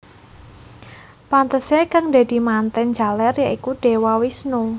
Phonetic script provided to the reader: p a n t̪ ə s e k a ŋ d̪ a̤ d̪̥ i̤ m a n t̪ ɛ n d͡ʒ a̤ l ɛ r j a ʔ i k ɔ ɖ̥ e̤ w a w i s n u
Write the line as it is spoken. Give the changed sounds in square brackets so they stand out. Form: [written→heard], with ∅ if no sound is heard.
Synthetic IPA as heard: p a n t̪ ə s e k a ŋ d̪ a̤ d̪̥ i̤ m a n t̪ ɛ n d͡ʒ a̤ l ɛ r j a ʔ i k [ɔ→u] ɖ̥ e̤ w a w i s n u